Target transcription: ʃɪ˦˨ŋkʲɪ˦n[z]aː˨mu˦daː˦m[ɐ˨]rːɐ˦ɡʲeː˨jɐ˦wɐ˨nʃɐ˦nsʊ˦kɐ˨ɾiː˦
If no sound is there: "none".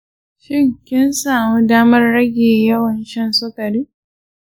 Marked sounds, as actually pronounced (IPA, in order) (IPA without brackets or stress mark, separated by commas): s, ɐ˦